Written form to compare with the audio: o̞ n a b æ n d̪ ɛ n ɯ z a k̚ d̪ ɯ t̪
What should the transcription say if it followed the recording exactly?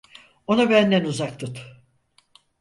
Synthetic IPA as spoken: o̞ n a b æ n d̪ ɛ n u z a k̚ t̪ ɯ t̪